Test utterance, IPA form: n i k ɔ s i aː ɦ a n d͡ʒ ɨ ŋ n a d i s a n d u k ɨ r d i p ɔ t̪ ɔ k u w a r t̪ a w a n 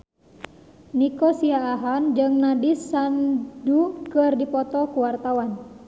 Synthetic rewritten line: n i k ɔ s i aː ɦ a n d͡ʒ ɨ ŋ n a d i s a n d u k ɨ r d i p ɔ t̪ ɔ k u w a r t̪ a w a n